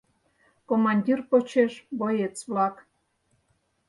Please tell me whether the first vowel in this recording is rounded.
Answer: yes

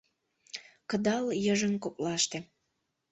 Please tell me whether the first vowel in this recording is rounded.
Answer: no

